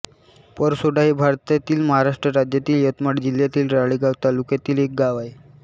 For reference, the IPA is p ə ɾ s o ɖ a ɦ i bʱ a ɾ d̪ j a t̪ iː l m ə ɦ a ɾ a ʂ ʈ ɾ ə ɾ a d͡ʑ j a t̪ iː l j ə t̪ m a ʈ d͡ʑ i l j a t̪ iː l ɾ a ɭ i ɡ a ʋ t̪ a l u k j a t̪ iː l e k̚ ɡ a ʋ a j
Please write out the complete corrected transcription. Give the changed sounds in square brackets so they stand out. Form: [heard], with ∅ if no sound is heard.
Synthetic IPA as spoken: p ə ɾ s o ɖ a ɦ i bʱ a ɾ [t̪] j a t̪ iː l m ə ɦ a ɾ a ʂ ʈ ɾ ə ɾ a d͡ʑ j a t̪ iː l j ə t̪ m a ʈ d͡ʑ i l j a t̪ iː l ɾ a ɭ i ɡ a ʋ t̪ a l u k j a t̪ iː l e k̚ ɡ a ʋ a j